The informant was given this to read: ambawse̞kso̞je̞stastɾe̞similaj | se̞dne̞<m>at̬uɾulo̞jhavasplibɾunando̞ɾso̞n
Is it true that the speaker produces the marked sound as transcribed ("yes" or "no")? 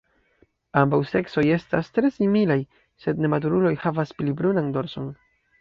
yes